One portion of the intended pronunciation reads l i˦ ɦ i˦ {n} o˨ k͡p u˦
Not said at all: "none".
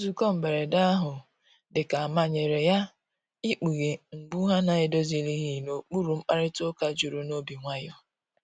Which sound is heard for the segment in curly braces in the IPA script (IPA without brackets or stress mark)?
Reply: n